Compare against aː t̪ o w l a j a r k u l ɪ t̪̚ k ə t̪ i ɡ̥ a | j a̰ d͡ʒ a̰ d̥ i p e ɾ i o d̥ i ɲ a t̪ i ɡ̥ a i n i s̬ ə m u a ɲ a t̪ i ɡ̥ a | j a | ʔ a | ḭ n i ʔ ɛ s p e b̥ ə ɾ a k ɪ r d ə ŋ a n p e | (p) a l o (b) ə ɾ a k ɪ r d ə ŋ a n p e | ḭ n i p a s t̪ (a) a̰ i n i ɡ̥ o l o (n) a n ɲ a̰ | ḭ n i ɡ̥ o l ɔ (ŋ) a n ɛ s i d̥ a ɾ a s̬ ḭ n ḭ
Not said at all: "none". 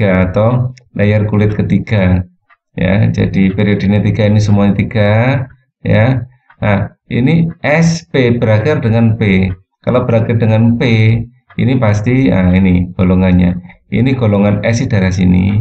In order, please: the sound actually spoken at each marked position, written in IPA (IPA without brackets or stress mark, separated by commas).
k, b, i, ŋ, ŋ